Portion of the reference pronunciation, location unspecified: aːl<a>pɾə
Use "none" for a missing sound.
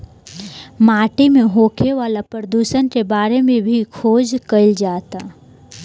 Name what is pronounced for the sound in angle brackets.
a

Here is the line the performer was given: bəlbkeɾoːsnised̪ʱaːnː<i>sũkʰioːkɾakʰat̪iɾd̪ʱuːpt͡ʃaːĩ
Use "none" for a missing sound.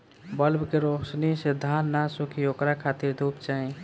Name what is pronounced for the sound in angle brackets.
a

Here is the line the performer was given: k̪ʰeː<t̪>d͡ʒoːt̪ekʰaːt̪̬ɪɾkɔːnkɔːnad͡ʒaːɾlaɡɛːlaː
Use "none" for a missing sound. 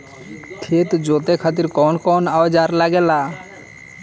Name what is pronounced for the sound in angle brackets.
t̪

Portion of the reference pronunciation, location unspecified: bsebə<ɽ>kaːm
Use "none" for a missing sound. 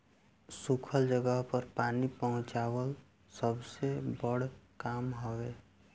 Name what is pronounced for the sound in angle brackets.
ɽ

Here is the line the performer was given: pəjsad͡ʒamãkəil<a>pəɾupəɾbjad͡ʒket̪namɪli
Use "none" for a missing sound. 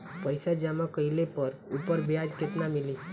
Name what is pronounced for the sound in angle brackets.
e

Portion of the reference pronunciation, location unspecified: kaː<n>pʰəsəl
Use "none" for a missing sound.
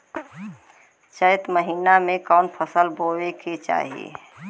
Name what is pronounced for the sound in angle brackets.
n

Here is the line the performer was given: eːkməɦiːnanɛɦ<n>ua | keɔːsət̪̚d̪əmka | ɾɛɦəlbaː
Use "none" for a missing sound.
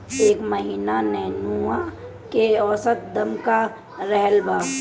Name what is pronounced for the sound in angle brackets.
n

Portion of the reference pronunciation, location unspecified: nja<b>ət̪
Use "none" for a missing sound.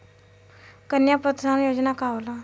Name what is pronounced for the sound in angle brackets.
p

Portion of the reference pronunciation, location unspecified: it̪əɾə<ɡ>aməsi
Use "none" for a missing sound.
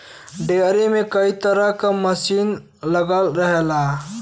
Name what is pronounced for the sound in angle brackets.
k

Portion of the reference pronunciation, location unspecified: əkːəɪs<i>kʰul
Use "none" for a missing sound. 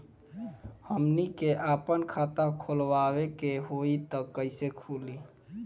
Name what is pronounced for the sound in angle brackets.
e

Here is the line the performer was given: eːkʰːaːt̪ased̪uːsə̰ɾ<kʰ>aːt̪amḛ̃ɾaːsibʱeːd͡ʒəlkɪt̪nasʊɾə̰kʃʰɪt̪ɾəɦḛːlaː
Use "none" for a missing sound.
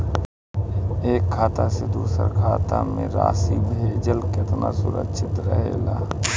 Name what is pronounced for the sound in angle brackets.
kʰ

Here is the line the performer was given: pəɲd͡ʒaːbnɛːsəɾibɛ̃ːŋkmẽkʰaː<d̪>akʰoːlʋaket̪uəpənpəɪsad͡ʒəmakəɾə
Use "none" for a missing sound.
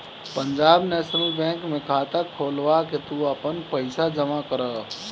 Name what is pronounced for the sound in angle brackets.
t̪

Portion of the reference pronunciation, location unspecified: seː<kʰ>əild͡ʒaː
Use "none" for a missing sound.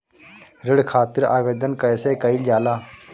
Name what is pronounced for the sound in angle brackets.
k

